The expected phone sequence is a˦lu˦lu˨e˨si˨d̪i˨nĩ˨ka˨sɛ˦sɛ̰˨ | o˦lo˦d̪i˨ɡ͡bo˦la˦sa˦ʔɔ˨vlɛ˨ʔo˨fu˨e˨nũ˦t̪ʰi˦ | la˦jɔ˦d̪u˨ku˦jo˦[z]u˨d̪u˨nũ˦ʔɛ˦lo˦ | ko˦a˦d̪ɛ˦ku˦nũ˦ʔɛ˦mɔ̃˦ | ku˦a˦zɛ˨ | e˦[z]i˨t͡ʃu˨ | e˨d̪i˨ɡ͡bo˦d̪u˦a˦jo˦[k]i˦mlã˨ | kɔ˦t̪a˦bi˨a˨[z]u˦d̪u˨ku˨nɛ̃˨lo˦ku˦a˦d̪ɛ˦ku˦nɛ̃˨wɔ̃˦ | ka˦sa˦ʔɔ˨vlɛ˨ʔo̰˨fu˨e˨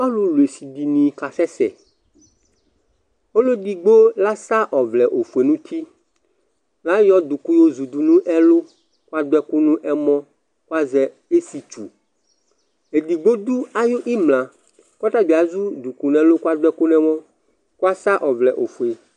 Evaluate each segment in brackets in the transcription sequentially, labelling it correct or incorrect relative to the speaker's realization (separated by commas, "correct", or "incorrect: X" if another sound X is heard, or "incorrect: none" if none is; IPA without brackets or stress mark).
correct, incorrect: s, incorrect: ʔ, correct